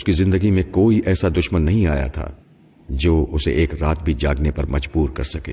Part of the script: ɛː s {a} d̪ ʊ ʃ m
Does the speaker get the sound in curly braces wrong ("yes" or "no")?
no